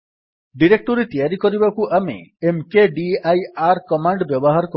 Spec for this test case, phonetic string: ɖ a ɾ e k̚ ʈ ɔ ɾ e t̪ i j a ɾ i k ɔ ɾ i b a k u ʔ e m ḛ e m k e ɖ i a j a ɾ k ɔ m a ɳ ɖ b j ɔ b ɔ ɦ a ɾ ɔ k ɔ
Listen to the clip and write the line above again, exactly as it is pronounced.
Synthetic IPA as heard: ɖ i ɾ e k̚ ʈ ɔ ɾ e t̪ i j a ɾ i k ɔ ɾ i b a k u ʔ a m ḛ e m k e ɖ i a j a ɾ k ɔ m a ɳ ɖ b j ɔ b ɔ ɦ a ɾ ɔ k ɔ